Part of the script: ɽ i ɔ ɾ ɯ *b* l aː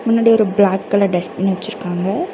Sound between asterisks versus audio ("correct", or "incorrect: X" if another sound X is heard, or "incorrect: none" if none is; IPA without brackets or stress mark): correct